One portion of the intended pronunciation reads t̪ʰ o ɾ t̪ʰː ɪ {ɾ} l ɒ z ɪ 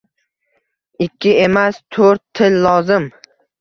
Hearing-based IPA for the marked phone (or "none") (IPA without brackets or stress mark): l